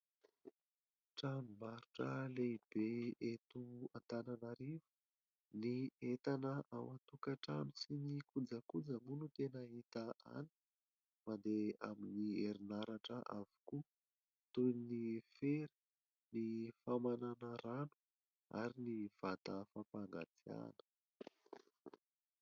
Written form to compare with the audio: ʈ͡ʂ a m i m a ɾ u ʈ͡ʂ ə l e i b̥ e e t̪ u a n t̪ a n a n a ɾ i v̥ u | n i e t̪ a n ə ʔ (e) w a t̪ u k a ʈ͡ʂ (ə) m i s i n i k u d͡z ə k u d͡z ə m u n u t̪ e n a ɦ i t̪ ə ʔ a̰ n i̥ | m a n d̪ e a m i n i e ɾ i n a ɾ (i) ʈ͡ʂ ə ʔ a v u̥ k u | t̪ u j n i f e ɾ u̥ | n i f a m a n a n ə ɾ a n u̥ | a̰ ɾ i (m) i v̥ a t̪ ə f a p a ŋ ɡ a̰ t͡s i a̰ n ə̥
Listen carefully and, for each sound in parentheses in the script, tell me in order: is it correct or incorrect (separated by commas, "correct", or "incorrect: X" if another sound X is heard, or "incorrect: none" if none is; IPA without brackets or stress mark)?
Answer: incorrect: a, incorrect: a, incorrect: a, incorrect: n